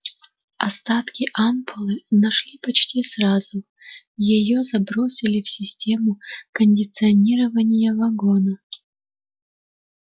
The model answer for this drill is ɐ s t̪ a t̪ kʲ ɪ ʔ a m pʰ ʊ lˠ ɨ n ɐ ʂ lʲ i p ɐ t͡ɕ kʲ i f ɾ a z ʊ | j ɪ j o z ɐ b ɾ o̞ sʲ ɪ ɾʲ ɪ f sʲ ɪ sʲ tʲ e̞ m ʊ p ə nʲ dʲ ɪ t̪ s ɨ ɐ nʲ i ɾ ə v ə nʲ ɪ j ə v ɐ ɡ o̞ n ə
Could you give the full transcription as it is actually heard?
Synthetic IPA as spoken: ɐ s t̪ a t̪ kʲ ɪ ʔ a m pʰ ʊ lˠ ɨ n ɐ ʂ lʲ i p ɐ t͡ɕ tʲ i s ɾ a z ʊ | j ɪ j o z ɐ b ɾ o̞ sʲ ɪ lʲ ɪ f sʲ ɪ sʲ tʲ e̞ m ʊ k ə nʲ dʲ ɪ t̪ s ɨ ɐ nʲ i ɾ ə v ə nʲ ɪ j ə v ɐ ɡ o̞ n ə